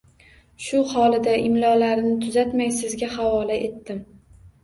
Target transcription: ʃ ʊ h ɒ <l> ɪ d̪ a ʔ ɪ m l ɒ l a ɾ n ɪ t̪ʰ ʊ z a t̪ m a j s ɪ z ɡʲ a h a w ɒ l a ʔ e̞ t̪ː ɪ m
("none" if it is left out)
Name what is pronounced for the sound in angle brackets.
l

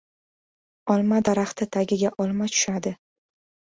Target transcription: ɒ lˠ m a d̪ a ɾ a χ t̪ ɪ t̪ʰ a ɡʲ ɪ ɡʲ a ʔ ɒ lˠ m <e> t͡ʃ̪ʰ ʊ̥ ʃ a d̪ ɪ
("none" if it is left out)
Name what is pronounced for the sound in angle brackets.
a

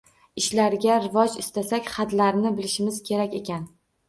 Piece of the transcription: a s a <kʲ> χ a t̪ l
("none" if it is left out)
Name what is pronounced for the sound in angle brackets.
kʲ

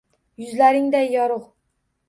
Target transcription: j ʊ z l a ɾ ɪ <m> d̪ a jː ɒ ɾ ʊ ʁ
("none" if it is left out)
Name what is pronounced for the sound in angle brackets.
ŋ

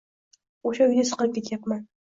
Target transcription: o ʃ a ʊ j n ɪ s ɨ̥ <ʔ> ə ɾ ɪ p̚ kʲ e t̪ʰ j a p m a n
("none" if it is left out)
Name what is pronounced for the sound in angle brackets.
q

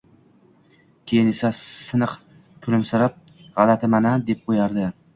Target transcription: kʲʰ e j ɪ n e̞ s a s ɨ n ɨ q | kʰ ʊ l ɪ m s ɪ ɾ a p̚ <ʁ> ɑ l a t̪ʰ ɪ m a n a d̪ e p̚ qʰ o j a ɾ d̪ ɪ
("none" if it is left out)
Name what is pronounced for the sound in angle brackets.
ʁ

